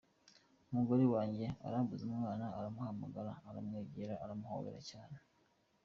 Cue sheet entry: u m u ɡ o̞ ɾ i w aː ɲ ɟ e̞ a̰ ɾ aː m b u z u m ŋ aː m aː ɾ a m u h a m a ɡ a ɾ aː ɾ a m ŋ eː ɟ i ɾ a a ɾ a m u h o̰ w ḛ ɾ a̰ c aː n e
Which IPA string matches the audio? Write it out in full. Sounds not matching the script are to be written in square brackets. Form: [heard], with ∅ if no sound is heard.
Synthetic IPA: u m u ɡ o̞ ɾ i w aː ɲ ɟ e̞ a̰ ɾ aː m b u z u m ŋ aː [n] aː ɾ a m u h a m a ɡ a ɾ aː ɾ a m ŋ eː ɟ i ɾ a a ɾ a m u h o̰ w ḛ ɾ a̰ c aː n e